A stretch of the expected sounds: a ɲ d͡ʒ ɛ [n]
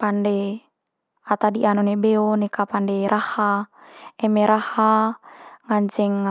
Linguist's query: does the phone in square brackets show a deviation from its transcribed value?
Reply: yes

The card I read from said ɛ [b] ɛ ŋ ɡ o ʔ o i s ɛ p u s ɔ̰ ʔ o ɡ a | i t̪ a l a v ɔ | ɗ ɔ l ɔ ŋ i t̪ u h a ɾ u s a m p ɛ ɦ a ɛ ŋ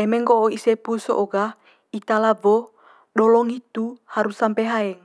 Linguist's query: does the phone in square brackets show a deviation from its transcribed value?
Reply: yes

